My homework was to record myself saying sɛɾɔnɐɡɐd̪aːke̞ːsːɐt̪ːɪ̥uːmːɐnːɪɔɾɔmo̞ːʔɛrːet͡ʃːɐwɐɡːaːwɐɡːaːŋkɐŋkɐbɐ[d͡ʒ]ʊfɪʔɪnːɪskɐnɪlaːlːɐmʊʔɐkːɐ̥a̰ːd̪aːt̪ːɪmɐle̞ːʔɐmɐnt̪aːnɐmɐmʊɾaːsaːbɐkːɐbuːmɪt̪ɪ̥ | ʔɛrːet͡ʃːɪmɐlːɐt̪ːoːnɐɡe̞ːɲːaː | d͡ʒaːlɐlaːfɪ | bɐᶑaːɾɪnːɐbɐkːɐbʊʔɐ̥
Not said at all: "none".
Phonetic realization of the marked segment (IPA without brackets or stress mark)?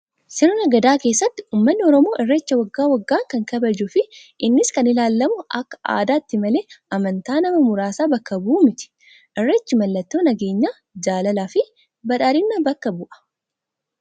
d͡ʒ